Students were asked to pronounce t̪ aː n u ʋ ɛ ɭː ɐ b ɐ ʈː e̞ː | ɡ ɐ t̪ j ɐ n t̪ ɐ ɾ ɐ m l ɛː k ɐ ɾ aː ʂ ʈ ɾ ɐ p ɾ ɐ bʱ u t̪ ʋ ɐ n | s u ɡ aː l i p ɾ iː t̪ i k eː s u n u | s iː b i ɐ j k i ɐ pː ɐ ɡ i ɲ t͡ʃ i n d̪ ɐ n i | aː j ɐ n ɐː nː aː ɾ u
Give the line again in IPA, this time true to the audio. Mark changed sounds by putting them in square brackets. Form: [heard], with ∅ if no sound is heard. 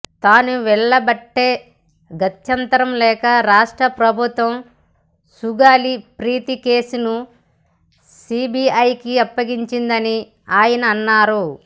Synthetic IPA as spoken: t̪ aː n u ʋ ɛ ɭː ɐ b ɐ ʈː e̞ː | ɡ ɐ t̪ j ɐ n t̪ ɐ ɾ ɐ m l ɛː k ɐ ɾ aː ʂ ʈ ɾ ɐ p ɾ ɐ bʱ u t̪ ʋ ɐ [m] | s u ɡ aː l i p ɾ iː t̪ i k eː s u n u | s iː b i ɐ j k i ɐ pː ɐ ɡ i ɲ t͡ʃ i n d̪ ɐ n i | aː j ɐ n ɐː nː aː ɾ u

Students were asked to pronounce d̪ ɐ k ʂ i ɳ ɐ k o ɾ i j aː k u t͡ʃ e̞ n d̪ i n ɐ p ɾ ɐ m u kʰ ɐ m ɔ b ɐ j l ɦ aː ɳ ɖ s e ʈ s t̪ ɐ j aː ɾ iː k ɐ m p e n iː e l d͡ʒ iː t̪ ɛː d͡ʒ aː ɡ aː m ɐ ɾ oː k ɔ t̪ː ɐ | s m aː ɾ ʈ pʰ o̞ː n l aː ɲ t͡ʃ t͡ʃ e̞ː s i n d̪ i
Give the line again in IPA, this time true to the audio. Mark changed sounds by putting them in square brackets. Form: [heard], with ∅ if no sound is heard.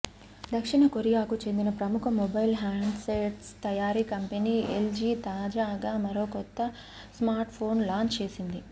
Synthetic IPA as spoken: d̪ ɐ k ʂ i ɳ ɐ k o ɾ i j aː k u t͡ʃ e̞ n d̪ i n ɐ p ɾ ɐ m u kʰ ɐ m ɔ b ɐ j l ɦ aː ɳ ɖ s e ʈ s t̪ ɐ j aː ɾ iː k ɐ m p e n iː e l d͡ʒ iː t̪ [aː] d͡ʒ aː ɡ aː m ɐ ɾ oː k ɔ t̪ː ɐ | s m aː ɾ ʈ pʰ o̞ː n l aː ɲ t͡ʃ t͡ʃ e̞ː s i n d̪ i

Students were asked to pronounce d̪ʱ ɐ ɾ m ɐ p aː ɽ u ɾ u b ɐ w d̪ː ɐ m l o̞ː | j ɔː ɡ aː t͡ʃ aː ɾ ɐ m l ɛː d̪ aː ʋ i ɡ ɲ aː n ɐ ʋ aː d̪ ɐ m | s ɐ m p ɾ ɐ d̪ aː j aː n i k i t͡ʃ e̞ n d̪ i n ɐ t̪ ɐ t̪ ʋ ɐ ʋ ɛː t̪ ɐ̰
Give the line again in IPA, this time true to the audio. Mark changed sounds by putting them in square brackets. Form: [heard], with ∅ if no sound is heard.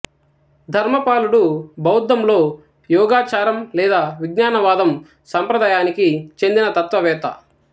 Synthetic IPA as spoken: d̪ʱ ɐ ɾ m ɐ p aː [l] u [ɽ] u b ɐ w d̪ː ɐ m l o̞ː | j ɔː ɡ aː t͡ʃ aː ɾ ɐ m l ɛː d̪ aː ʋ i ɡ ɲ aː n ɐ ʋ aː d̪ ɐ m | s ɐ m p ɾ ɐ d̪ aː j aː n i k i t͡ʃ e̞ n d̪ i n ɐ t̪ ɐ t̪ ʋ ɐ ʋ ɛː t̪ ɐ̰

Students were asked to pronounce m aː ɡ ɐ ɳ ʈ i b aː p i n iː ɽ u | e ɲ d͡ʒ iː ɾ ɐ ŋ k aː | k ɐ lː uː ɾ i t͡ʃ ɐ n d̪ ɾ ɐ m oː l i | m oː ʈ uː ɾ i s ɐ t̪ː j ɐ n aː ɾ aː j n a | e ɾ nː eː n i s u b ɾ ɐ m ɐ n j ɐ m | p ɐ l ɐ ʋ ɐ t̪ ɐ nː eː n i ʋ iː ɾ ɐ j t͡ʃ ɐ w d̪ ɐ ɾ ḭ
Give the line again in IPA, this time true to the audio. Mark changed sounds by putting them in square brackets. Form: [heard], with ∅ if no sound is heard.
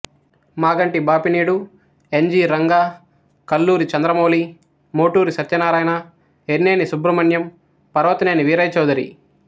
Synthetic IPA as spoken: m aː ɡ ɐ ɳ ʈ i b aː p i n iː ɽ u | e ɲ d͡ʒ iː ɾ ɐ ŋ [ɡ] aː | k ɐ lː uː ɾ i t͡ʃ ɐ n d̪ ɾ ɐ m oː l i | m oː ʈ uː ɾ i s ɐ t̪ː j ɐ n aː ɾ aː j n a | e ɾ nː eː n i s u b ɾ ɐ m ɐ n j ɐ m | p ɐ [ɾ] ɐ ʋ ɐ t̪ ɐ [n] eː n i ʋ iː ɾ ɐ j t͡ʃ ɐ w d̪ ɐ ɾ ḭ

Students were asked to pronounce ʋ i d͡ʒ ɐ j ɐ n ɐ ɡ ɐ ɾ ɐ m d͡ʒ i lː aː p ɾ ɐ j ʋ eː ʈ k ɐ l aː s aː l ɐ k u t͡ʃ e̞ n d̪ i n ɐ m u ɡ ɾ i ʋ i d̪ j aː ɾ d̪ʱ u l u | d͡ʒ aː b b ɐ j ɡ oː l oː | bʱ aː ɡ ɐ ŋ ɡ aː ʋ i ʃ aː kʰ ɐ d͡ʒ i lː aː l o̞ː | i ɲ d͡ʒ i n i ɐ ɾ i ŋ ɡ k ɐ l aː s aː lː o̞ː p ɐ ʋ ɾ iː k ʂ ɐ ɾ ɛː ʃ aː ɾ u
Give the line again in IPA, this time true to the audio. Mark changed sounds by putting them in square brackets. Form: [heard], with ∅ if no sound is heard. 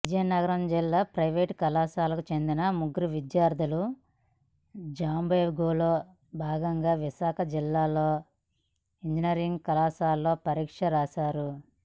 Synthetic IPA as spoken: ʋ i d͡ʒ ɐ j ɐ n ɐ ɡ ɐ ɾ ɐ m d͡ʒ i lː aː p ɾ ɐ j ʋ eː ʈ k ɐ l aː s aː l ɐ k u t͡ʃ e̞ n d̪ i n ɐ m u ɡ ɾ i ʋ i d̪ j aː ɾ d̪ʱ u l u | d͡ʒ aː [m] b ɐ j ɡ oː l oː | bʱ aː ɡ ɐ ŋ ɡ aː ʋ i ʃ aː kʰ ɐ d͡ʒ i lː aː l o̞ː | i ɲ d͡ʒ i n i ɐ ɾ i ŋ ɡ k ɐ l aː s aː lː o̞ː p ɐ [∅] ɾ iː k ʂ ɐ ɾ [aː] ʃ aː ɾ u

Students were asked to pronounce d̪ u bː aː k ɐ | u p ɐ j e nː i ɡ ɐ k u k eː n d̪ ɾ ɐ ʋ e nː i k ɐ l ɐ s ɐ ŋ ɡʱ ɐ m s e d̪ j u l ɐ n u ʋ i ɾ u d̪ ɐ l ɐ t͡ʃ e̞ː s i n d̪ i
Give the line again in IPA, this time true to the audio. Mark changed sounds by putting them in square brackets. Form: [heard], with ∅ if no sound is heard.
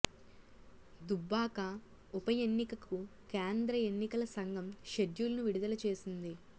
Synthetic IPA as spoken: d̪ u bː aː k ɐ | u p ɐ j e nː i [k] ɐ k u k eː n d̪ ɾ ɐ [∅] e nː i k ɐ l ɐ s ɐ ŋ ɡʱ ɐ m [ʃ] e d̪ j u l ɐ n u ʋ i [ɽ] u d̪ ɐ l ɐ t͡ʃ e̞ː s i n d̪ i

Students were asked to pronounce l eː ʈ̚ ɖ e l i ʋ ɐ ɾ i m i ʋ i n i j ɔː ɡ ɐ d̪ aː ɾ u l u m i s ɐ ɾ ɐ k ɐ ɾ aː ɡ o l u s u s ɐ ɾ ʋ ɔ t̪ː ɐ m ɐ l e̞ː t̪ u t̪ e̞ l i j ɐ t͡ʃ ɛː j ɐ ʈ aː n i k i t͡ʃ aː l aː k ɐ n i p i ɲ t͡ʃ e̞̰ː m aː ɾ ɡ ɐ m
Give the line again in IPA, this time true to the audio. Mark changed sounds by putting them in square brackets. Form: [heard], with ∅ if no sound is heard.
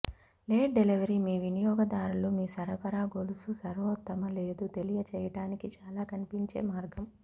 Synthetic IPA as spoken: l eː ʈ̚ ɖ e l i ʋ ɐ ɾ i m [iː] ʋ i n i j ɔː ɡ ɐ d̪ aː ɾ u l u m [iː] s ɐ ɾ ɐ [p] ɐ ɾ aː ɡ o l u s u s ɐ ɾ ʋ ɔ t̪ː ɐ m ɐ l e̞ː [d̪] u t̪ e̞ l i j ɐ t͡ʃ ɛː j ɐ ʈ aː n i k i t͡ʃ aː l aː k ɐ n i p i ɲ t͡ʃ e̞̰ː m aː ɾ ɡ ɐ m

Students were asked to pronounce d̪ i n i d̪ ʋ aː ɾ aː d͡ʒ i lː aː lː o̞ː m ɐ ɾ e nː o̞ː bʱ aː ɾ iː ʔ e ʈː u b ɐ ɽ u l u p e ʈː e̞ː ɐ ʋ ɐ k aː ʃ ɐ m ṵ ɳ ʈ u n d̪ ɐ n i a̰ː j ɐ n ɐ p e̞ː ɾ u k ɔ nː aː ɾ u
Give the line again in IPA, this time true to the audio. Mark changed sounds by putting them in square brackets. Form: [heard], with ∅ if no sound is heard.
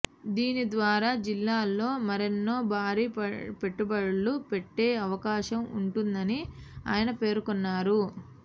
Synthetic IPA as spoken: d̪ [iː] n i d̪ ʋ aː ɾ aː d͡ʒ i lː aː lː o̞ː m ɐ ɾ e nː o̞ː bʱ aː ɾ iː [p] e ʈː u b ɐ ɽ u l u p e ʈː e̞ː ɐ ʋ ɐ k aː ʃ ɐ m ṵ ɳ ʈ u n d̪ ɐ n i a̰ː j ɐ n ɐ p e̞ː ɾ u k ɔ nː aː ɾ u

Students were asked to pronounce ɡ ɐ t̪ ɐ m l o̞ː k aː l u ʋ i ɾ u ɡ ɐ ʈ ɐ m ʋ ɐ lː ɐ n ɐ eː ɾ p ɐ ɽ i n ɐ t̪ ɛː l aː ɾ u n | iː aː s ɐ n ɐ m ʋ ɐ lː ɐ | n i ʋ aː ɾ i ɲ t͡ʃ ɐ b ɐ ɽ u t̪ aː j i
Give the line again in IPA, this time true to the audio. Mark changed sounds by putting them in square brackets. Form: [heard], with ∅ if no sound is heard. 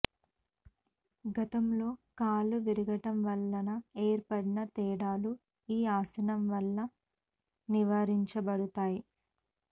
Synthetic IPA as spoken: ɡ ɐ t̪ ɐ m l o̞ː k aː l u ʋ i ɾ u ɡ ɐ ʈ ɐ m ʋ ɐ lː ɐ n ɐ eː ɾ p ɐ ɽ i n ɐ t̪ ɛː [ɽ] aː [l] u [∅] | iː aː s ɐ n ɐ m ʋ ɐ lː ɐ | n i ʋ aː ɾ i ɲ t͡ʃ ɐ b ɐ ɽ u t̪ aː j i

